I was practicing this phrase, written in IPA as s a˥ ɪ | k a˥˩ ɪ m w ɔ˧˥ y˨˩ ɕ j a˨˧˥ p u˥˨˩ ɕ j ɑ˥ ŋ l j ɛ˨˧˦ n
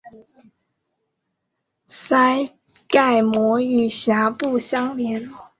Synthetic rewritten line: s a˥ ɪ | k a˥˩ ɪ m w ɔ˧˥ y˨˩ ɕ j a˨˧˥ p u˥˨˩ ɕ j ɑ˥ ŋ l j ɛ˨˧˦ n